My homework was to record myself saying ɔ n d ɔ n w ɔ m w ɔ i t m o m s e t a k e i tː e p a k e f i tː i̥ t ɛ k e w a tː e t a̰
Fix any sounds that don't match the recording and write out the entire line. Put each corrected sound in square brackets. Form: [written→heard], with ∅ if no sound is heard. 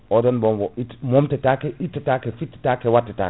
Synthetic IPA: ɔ [n→∅] d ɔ n [w→b] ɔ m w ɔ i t m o m [s→t] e t a k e i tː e [p→t] a k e f i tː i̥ t [ɛ→a] k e w a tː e t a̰